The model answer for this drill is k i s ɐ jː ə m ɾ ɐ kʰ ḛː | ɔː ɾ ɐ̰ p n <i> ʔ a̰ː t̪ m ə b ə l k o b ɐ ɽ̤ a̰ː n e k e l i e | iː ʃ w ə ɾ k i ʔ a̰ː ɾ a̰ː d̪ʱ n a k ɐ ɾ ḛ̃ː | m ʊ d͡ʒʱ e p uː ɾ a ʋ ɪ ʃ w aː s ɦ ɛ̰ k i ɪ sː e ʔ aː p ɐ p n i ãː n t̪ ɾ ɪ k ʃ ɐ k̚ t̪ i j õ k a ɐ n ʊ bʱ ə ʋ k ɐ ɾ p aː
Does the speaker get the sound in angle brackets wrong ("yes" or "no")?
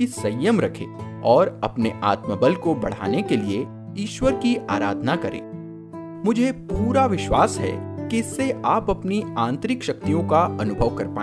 yes